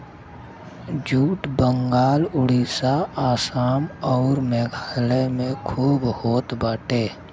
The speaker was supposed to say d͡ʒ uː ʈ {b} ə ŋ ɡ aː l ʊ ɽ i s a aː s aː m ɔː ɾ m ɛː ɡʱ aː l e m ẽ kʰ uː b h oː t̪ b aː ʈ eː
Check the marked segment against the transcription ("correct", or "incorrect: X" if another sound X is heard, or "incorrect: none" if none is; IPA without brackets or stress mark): correct